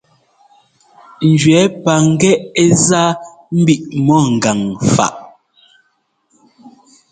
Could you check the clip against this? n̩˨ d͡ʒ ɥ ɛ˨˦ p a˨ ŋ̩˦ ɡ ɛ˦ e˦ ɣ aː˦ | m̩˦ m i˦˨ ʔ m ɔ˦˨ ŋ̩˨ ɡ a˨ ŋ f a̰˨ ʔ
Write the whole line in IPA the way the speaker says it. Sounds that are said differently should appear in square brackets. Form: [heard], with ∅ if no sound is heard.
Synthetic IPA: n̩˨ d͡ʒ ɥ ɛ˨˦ p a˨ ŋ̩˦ ɡ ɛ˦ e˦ [z] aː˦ | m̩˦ [b] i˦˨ ʔ m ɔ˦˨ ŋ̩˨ ɡ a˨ ŋ f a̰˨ ʔ